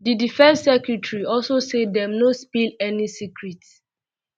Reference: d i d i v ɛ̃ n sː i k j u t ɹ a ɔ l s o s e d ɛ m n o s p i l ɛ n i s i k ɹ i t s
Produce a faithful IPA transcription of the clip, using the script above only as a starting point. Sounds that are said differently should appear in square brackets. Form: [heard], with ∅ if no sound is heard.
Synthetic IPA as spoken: d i d i [f] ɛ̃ n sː [ɛ] k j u t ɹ [i] ɔ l s o s e d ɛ m n o s p i l ɛ n i s i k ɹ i t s